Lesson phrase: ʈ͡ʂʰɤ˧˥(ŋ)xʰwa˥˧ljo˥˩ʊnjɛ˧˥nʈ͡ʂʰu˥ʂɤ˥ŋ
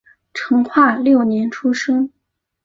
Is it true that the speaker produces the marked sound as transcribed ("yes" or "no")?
yes